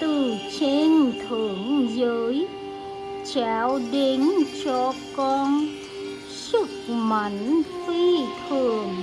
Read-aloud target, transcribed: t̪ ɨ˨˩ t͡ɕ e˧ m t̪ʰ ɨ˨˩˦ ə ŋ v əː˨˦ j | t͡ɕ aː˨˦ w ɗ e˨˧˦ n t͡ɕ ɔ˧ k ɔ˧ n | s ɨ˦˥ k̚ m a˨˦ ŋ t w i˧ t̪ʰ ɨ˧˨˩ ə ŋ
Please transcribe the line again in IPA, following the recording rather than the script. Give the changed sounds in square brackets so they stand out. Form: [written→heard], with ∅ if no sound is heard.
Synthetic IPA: t̪ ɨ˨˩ t͡ɕ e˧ [m→n] t̪ʰ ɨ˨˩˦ ə ŋ [v→z] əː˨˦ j | t͡ɕ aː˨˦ w ɗ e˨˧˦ n t͡ɕ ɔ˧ k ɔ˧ n | s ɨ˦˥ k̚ m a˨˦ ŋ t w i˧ t̪ʰ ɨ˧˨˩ ə ŋ

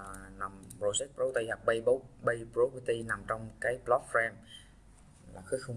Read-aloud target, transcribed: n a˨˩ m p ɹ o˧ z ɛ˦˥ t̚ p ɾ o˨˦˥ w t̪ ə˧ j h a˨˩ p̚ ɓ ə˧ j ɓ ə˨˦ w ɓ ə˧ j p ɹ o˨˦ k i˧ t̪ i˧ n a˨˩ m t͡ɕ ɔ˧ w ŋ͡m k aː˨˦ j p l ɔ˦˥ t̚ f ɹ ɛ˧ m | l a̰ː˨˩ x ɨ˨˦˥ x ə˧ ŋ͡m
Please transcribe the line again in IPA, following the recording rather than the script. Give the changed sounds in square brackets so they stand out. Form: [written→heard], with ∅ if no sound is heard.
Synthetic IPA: n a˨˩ m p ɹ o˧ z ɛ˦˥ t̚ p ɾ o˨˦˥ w t̪ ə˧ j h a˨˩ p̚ ɓ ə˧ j ɓ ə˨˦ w ɓ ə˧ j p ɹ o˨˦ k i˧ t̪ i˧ n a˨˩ m t͡ɕ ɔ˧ w ŋ͡m k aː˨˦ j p l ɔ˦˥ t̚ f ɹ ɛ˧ m | l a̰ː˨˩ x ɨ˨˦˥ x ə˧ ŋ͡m

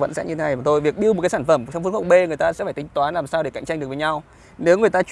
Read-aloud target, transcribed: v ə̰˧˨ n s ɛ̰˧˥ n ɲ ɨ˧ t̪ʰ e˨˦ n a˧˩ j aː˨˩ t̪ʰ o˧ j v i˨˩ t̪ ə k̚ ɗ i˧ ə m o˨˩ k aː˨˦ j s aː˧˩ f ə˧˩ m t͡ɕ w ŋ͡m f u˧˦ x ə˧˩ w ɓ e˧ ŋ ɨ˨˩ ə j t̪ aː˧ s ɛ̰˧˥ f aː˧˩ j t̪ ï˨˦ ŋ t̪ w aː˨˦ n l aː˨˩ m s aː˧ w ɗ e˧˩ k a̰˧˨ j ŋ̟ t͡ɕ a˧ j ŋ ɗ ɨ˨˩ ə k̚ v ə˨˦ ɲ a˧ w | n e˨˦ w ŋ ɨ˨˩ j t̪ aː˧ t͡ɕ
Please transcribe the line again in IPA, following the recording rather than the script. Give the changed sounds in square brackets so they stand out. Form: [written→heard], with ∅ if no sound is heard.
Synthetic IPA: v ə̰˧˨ n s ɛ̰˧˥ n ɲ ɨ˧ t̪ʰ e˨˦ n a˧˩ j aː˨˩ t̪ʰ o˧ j v i˨˩ [t̪→∅] ə k̚ ɗ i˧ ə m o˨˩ k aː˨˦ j s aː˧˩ f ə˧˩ m t͡ɕ w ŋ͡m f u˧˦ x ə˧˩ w ɓ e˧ ŋ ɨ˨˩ ə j t̪ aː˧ s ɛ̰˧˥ f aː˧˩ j t̪ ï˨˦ ŋ t̪ w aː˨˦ n l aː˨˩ m s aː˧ w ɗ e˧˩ k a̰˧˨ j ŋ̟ t͡ɕ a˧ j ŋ ɗ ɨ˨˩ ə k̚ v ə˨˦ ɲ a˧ w | n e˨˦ w ŋ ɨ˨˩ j t̪ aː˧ t͡ɕ

